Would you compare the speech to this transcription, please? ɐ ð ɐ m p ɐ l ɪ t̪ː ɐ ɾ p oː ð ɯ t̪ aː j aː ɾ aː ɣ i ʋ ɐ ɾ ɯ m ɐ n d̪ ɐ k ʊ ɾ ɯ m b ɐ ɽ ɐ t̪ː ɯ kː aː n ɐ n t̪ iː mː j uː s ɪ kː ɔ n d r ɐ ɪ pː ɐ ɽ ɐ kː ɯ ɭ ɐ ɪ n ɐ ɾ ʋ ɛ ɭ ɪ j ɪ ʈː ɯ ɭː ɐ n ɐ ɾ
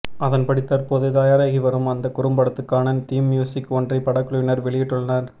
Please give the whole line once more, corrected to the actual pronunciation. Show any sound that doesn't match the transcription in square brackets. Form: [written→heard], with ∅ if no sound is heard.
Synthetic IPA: ɐ ð ɐ [m→n] p ɐ [l→ɽ] ɪ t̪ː ɐ ɾ p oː ð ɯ t̪ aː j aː ɾ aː ɣ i ʋ ɐ ɾ ɯ m ɐ n d̪ ɐ k ʊ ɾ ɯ m b ɐ ɽ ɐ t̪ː ɯ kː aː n ɐ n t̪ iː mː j uː s ɪ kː ɔ n d r ɐ ɪ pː ɐ ɽ ɐ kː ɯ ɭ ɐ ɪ n ɐ ɾ ʋ ɛ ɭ ɪ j ɪ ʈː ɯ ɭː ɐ n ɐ ɾ